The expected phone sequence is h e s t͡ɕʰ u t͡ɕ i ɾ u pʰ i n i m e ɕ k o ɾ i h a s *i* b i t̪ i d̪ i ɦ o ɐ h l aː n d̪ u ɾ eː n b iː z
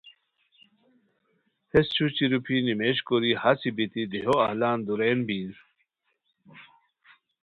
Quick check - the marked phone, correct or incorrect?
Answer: correct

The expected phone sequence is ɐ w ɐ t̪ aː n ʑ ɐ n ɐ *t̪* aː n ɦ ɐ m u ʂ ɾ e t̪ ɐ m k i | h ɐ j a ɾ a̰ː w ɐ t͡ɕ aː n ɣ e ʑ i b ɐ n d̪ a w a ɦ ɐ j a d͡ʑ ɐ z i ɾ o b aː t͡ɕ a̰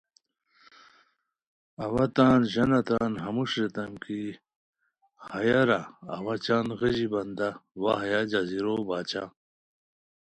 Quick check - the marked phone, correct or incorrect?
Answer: correct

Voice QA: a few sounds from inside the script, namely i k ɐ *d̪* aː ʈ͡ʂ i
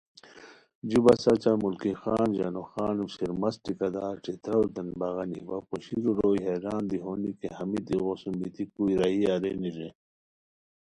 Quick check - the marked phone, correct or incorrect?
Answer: correct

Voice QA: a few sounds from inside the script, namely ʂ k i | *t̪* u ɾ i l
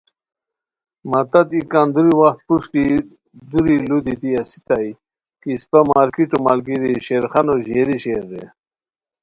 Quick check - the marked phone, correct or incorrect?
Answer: incorrect: d̪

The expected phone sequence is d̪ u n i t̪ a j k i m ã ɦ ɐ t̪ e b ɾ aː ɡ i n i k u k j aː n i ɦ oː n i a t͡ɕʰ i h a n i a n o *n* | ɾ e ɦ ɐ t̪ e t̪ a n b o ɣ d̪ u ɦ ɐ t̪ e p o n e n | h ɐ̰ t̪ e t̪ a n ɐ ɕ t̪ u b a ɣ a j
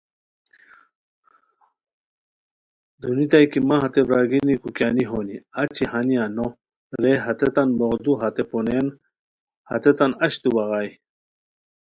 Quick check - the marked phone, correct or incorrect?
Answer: incorrect: none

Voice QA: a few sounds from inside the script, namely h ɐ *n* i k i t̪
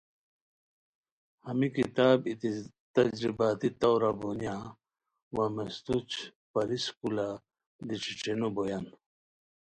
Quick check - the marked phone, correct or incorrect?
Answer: incorrect: m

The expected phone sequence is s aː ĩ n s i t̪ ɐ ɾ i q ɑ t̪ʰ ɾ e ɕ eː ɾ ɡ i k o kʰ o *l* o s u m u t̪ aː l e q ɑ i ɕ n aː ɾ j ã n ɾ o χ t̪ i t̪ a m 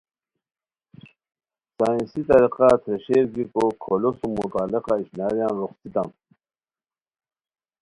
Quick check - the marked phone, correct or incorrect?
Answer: correct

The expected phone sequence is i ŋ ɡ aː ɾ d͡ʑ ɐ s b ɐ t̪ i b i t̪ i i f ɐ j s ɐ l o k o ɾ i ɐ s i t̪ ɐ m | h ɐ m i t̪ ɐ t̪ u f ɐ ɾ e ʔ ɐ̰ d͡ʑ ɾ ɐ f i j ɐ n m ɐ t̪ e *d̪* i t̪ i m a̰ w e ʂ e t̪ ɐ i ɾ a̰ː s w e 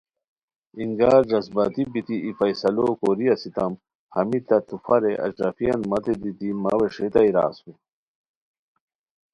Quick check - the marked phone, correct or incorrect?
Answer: correct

